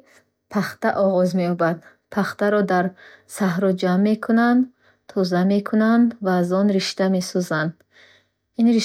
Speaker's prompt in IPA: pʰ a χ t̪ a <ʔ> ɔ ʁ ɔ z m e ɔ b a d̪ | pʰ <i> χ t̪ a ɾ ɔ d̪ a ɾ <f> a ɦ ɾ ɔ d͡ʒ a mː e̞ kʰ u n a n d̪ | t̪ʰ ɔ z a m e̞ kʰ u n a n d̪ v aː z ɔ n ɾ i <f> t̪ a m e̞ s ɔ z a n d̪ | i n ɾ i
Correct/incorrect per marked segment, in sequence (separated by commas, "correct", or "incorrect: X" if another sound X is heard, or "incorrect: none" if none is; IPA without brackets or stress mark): correct, incorrect: a, incorrect: s, incorrect: ʃ